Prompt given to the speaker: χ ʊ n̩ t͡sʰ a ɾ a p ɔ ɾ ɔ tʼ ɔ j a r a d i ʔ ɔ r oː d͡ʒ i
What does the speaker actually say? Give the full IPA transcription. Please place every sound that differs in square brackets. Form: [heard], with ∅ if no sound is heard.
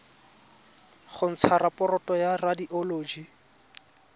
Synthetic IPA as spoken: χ ʊ n̩ t͡sʰ a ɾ a p ɔ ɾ ɔ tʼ ɔ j a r a d i ʔ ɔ [l] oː d͡ʒ i